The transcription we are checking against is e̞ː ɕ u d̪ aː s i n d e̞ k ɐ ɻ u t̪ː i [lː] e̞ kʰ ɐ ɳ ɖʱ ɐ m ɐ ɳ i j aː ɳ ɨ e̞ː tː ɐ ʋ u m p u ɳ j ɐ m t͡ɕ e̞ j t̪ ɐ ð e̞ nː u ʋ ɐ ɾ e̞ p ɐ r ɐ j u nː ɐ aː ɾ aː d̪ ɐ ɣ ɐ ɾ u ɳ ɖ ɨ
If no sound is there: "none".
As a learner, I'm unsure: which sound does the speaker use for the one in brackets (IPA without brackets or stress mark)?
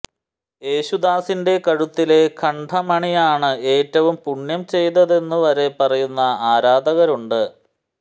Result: l